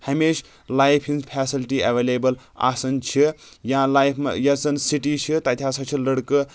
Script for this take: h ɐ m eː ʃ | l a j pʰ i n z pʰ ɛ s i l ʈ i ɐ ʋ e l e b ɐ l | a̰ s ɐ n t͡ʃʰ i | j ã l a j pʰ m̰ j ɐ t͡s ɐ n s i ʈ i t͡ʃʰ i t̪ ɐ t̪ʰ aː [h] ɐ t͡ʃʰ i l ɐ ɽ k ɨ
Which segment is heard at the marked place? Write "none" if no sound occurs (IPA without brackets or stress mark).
s